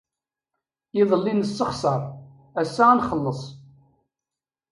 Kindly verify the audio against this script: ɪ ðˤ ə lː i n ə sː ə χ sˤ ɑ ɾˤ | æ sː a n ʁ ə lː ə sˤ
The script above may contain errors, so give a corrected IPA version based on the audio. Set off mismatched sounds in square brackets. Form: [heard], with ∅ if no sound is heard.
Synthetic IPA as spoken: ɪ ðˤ ə lː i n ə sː ə χ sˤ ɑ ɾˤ | æ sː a n [χ] ə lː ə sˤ